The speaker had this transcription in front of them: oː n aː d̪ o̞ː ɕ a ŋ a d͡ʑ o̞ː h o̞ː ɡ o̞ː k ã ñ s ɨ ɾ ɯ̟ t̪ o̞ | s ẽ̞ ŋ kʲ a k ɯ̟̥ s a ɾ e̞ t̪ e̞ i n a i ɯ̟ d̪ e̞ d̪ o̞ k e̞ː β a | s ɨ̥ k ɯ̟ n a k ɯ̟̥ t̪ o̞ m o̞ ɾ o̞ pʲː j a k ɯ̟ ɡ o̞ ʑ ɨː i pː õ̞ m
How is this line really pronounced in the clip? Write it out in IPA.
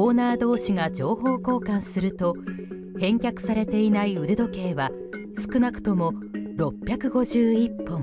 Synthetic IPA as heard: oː n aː d̪ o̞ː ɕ i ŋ a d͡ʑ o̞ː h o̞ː k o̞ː k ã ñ s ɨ ɾ ɯ̟ t̪ o̞ | h ẽ̞ ŋ kʲ a k ɯ̟̥ s a ɾ e̞ t̪ e̞ i n a i ɯ̟ d̪ e̞ d̪ o̞ k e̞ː β a | s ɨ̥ k ɯ̟ n a k ɯ̟̥ t̪ o̞ m o̞ ɾ o̞ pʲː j a k ɯ̟ ɡ o̞ ʑ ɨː i pː õ̞ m